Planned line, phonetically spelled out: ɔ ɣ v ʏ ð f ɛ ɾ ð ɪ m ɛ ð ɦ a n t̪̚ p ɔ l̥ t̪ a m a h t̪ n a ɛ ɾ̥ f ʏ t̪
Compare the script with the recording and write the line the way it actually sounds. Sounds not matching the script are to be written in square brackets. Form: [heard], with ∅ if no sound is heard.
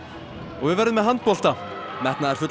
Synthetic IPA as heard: ɔ ɣ v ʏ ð [v] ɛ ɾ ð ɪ m ɛ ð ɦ a n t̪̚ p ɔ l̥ t̪ a m [ɛ] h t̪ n a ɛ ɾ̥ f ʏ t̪